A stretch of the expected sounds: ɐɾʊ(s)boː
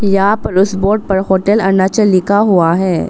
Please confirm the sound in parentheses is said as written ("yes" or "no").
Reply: yes